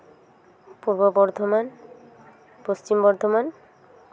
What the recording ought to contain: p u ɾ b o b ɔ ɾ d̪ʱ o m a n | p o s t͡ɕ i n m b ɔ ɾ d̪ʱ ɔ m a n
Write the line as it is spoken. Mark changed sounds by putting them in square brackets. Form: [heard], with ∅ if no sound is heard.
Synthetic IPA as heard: p u ɾ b o b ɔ ɾ d̪ʱ o m a n | p o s t͡ɕ i [∅] m b ɔ ɾ d̪ʱ [o] m a n